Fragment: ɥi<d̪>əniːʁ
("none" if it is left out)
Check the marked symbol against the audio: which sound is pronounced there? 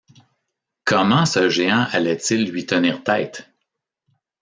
t̪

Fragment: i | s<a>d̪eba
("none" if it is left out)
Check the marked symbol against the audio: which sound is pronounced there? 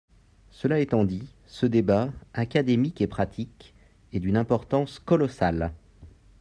ə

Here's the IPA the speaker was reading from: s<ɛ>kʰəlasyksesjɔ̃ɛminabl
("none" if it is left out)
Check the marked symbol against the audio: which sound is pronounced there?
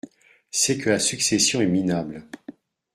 ɛ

